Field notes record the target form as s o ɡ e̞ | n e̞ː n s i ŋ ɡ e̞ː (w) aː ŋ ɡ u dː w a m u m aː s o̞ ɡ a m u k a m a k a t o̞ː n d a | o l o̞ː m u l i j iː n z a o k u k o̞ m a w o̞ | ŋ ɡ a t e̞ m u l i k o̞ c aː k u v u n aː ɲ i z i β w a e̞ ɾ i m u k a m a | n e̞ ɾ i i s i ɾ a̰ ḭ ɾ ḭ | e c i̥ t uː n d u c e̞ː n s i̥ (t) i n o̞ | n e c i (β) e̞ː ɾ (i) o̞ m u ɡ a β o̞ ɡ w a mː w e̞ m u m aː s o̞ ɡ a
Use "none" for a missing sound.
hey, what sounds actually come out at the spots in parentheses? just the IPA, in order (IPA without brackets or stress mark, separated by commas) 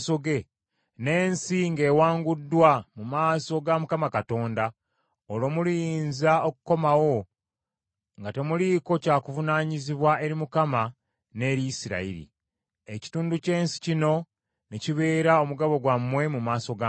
w, c, β, a